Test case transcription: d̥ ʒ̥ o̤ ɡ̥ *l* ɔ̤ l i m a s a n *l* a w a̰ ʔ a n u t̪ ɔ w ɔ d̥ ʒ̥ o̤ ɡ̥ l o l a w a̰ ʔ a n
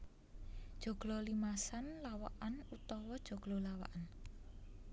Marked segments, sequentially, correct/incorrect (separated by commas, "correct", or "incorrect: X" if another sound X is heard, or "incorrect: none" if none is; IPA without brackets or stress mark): correct, correct